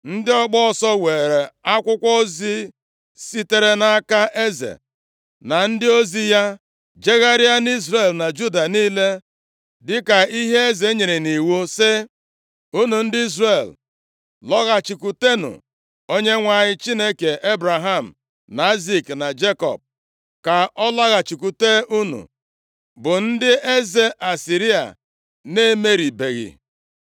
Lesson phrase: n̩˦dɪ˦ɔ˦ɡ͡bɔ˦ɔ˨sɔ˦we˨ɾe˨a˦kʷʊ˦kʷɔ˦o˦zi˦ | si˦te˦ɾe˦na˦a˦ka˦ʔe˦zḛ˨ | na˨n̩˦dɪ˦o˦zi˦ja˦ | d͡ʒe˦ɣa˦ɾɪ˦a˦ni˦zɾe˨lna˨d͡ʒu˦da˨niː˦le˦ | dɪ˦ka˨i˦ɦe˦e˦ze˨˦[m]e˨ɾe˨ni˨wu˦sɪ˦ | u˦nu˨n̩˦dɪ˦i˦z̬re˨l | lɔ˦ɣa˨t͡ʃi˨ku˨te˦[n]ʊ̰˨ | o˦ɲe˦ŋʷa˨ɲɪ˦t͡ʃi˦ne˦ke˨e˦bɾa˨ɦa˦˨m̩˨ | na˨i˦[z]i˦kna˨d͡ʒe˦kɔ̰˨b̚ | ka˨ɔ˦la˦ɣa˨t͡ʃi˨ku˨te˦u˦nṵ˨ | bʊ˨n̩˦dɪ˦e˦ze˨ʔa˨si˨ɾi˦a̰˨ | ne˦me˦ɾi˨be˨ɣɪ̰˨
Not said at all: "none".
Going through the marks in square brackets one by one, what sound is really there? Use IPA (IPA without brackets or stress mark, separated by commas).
ɲ, n, z